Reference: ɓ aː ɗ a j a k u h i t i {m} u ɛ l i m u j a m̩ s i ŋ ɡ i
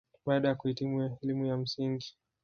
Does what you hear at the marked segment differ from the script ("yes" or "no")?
no